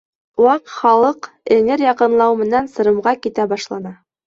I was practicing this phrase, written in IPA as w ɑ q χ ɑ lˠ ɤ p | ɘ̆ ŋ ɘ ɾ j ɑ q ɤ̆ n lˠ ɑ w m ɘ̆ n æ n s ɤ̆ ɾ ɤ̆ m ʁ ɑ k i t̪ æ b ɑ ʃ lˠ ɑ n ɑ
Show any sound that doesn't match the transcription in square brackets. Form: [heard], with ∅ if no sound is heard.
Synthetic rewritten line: w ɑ q χ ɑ lˠ ɤ [q] | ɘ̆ ŋ ɘ ɾ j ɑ q ɤ̆ n lˠ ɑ w m ɘ̆ n æ n s ɤ̆ ɾ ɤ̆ m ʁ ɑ k i t̪ æ b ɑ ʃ lˠ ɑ n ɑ